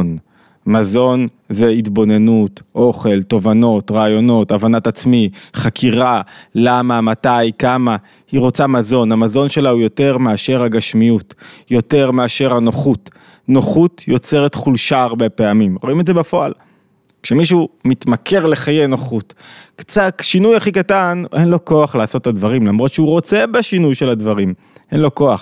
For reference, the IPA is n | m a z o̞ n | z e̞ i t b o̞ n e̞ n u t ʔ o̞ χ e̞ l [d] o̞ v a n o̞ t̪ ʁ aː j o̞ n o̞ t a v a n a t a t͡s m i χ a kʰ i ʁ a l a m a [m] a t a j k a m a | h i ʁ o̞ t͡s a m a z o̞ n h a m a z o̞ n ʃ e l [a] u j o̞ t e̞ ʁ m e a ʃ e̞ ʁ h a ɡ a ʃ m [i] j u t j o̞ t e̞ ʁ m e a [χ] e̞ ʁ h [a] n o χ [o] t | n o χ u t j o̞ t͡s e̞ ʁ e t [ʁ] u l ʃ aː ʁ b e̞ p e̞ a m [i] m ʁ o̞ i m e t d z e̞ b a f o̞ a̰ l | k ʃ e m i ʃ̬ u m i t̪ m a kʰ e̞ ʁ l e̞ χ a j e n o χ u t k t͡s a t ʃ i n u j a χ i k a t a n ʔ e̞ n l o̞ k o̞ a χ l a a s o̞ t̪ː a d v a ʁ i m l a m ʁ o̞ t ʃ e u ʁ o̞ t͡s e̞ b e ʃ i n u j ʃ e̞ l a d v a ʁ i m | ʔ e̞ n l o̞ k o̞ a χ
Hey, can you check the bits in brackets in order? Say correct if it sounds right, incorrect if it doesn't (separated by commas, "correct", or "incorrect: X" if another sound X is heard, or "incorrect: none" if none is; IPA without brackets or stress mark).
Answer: incorrect: t, correct, correct, correct, incorrect: ʃ, correct, incorrect: u, incorrect: χ, correct